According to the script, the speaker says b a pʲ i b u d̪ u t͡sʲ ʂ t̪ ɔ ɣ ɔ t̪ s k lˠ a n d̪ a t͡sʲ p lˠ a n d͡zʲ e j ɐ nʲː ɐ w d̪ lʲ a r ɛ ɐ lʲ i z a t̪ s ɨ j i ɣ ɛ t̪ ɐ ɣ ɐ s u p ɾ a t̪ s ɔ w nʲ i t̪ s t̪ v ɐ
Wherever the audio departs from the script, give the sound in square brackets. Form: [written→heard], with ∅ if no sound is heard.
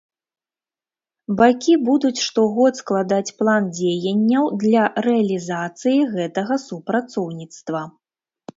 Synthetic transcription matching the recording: b a [pʲ→kʲ] i b u d̪ u t͡sʲ ʂ t̪ ɔ ɣ ɔ t̪ s k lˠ a [n→∅] d̪ a t͡sʲ p lˠ a n d͡zʲ e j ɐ nʲː ɐ w d̪ lʲ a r ɛ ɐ lʲ i z a t̪ s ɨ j i ɣ ɛ t̪ ɐ ɣ ɐ s u p ɾ a t̪ s ɔ w nʲ i t̪ s t̪ v ɐ